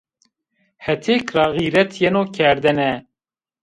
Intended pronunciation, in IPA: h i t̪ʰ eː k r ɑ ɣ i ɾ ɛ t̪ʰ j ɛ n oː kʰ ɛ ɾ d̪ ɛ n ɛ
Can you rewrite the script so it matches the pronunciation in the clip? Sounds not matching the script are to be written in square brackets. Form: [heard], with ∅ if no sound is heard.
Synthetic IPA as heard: h [ɛ] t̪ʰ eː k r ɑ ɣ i ɾ ɛ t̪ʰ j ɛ n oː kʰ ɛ ɾ d̪ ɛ n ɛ